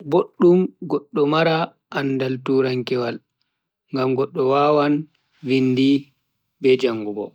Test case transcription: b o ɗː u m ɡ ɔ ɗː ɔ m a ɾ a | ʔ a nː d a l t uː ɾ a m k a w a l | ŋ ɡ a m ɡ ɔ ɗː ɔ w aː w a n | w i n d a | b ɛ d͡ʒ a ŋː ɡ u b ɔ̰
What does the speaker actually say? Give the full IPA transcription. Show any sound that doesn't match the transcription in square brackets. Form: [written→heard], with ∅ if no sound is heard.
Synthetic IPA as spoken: b o ɗː u m ɡ ɔ ɗː ɔ m a ɾ a | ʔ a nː d a l t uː ɾ a [m→ŋ] k [a→ɛ] w a l | ŋ ɡ a m ɡ ɔ ɗː ɔ w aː w a n | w i n d [a→i] | b ɛ d͡ʒ a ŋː ɡ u b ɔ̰